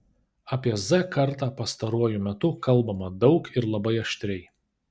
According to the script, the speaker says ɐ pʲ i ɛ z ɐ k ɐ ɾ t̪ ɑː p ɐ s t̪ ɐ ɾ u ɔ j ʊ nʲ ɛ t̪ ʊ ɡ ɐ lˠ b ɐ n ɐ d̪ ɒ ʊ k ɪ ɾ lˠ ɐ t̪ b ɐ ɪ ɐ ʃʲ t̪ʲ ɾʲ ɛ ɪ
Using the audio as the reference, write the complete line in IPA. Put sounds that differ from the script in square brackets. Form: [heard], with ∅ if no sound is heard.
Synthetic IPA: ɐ pʲ i ɛ z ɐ k ɐ ɾ t̪ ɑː p ɐ s t̪ ɐ ɾ u ɔ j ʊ [mʲ] ɛ t̪ ʊ [k] ɐ lˠ b ɐ [m] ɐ d̪ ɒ ʊ k ɪ ɾ lˠ ɐ [∅] b ɐ ɪ ɐ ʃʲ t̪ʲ ɾʲ ɛ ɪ